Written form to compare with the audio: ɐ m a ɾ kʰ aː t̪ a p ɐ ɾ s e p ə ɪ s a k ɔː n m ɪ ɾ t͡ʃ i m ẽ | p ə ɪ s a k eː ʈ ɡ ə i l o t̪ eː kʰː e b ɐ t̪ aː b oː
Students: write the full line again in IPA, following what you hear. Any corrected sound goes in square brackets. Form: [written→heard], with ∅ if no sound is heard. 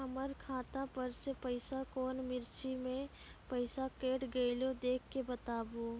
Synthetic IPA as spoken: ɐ m [a→ə] ɾ kʰ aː t̪ a p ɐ ɾ s e p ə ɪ s a k ɔː n m ɪ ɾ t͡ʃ i m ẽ | p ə ɪ s a k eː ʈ ɡ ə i l o [t̪→d̪] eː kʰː e b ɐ t̪ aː b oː